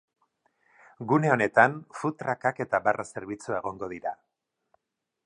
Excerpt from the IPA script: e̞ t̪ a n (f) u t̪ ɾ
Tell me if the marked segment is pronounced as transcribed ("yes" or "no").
yes